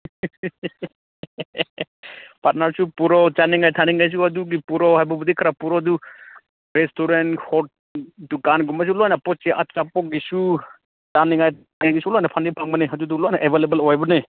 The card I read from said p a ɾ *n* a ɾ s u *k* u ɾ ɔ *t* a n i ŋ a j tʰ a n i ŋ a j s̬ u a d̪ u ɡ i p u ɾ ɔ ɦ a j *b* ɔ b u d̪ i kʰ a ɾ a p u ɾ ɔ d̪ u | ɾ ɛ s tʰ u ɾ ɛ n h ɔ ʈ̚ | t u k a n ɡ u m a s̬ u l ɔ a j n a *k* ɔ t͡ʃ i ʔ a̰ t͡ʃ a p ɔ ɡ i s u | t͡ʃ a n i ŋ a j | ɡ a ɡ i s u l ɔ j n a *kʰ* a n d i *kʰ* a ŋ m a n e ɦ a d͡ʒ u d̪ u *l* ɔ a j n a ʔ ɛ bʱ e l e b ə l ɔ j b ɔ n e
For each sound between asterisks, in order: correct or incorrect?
correct, incorrect, incorrect, correct, incorrect, incorrect, incorrect, correct

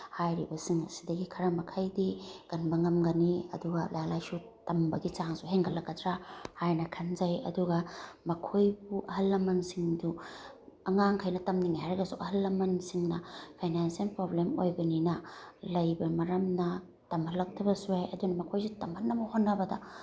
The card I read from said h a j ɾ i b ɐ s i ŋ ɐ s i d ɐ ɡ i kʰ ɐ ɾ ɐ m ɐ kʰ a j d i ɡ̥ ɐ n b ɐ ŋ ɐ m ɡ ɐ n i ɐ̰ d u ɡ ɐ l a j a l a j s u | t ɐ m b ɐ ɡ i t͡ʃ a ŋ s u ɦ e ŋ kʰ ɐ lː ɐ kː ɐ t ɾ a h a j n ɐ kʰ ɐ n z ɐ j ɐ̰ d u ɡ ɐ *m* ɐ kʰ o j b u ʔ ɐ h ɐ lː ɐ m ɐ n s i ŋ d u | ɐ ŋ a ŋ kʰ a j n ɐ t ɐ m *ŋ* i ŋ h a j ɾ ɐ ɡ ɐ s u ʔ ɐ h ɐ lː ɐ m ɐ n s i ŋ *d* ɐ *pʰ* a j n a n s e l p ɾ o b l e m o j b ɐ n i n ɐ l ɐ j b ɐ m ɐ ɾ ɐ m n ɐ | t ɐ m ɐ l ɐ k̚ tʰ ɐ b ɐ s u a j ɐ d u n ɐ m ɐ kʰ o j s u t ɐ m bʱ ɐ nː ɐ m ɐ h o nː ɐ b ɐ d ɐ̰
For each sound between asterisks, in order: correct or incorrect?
correct, incorrect, incorrect, correct

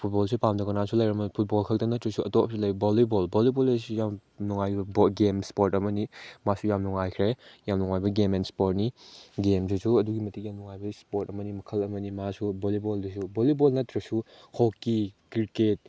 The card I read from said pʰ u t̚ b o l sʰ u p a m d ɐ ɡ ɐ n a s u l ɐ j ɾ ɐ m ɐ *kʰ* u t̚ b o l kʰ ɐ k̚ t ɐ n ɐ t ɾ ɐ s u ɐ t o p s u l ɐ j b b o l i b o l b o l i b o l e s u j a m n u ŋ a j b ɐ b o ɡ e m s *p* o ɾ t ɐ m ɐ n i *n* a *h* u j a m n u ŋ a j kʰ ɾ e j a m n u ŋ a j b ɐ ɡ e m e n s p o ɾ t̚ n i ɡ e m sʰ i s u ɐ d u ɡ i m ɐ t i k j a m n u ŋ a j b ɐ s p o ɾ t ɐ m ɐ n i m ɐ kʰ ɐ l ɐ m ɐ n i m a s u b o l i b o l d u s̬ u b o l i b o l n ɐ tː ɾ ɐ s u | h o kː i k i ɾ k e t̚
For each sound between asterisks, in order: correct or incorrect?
incorrect, correct, incorrect, incorrect

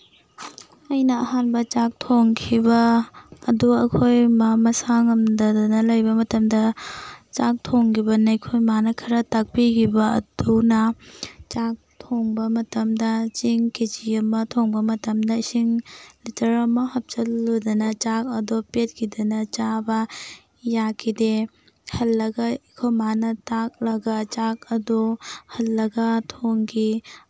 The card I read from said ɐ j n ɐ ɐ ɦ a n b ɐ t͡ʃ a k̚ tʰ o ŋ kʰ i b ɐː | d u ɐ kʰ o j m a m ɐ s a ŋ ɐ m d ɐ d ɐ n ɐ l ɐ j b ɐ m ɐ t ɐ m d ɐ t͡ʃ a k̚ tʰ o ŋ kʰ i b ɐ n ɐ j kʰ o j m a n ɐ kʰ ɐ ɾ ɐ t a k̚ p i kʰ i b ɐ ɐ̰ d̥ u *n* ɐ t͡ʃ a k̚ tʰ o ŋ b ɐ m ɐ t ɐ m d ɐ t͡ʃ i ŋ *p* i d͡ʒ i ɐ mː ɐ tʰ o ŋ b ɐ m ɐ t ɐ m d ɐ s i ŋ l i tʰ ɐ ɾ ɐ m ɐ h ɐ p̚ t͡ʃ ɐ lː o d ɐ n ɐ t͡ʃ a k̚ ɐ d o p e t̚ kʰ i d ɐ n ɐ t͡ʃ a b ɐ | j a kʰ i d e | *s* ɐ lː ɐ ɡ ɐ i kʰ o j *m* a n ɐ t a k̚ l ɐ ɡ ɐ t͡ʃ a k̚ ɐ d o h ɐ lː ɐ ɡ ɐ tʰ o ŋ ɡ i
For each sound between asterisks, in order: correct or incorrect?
correct, incorrect, incorrect, correct

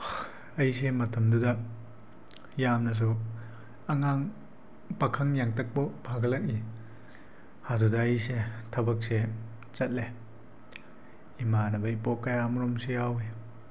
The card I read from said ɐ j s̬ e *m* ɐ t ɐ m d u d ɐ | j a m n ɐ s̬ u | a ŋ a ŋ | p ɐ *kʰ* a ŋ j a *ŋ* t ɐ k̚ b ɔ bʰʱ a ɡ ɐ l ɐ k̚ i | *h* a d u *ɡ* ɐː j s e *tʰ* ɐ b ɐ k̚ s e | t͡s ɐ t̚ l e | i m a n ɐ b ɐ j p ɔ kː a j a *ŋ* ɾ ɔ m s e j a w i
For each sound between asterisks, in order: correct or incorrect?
correct, correct, correct, correct, incorrect, correct, incorrect

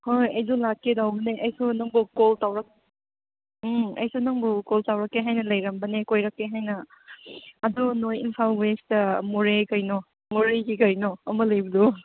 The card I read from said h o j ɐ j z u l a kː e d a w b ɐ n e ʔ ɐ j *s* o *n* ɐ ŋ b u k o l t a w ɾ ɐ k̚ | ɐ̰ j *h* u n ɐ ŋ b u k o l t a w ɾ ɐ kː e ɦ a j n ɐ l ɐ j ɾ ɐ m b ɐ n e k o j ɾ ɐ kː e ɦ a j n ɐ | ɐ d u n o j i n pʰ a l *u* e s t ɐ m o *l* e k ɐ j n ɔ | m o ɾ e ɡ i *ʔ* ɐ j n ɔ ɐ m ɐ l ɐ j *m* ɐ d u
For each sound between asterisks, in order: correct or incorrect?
correct, correct, incorrect, incorrect, incorrect, incorrect, incorrect

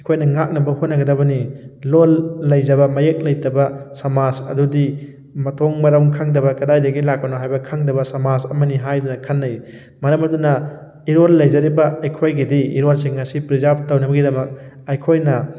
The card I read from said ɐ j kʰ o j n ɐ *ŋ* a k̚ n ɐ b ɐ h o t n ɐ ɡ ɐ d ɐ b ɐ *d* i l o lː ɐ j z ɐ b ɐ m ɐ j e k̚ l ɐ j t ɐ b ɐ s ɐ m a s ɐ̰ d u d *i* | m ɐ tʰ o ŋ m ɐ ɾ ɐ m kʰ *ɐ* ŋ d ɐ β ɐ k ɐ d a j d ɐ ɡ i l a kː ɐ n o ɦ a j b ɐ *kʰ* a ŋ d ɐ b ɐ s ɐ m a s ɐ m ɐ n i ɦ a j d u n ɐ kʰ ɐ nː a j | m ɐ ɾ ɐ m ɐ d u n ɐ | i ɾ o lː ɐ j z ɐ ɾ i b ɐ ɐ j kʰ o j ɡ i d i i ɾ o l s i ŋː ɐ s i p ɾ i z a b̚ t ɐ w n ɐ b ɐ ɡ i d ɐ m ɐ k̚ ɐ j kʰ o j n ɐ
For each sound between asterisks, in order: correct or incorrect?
correct, incorrect, correct, incorrect, correct

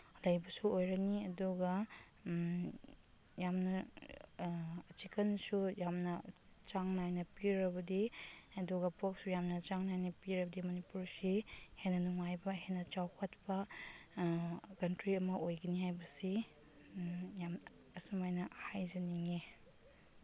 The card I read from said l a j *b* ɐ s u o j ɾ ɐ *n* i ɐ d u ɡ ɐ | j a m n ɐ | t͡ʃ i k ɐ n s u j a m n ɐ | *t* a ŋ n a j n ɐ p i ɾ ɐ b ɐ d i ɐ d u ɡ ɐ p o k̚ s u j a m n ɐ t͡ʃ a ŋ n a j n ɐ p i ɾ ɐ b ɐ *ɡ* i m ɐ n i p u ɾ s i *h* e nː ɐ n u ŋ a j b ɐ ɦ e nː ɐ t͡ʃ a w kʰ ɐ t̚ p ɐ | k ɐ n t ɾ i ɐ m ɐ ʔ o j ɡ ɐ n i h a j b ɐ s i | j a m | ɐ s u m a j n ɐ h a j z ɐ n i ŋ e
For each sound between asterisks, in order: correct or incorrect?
correct, correct, incorrect, incorrect, correct

